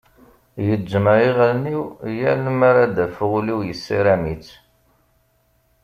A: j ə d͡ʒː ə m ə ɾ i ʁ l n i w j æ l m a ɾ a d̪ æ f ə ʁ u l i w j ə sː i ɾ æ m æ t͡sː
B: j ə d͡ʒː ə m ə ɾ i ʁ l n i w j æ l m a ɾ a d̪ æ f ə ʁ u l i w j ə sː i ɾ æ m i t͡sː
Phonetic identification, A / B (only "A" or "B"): B